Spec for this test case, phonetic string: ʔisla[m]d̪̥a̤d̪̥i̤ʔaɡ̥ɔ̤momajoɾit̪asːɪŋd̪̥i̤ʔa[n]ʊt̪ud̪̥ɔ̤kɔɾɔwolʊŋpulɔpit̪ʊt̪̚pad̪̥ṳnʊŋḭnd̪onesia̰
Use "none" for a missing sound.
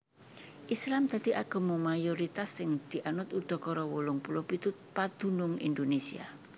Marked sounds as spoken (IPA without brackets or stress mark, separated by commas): m, n